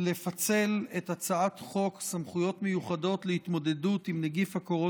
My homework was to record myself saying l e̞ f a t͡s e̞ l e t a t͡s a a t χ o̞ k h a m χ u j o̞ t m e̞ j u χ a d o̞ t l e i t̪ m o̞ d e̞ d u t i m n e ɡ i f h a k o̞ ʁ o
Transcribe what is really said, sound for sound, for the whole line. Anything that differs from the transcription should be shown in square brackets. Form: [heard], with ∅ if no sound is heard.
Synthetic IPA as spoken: l e̞ f a t͡s e̞ l e t a t͡s a a t χ o̞ k [s] a m χ u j o̞ t m e̞ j u χ a d o̞ t l e i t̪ m o̞ d e̞ d u t i m n e ɡ i f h a k o̞ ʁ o